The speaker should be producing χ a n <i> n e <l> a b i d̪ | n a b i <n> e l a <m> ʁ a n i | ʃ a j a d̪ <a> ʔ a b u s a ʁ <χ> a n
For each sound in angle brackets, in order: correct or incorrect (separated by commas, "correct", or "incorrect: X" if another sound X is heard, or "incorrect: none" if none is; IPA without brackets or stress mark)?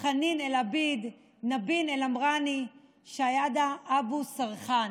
correct, correct, correct, correct, correct, correct